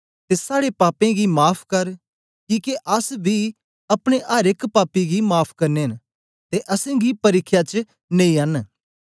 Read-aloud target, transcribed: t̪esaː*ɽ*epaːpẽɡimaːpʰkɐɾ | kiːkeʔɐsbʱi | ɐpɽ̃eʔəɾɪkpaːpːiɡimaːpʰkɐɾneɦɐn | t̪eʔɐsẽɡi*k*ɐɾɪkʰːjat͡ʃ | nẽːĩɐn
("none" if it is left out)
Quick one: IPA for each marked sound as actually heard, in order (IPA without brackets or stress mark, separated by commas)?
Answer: ɽ, p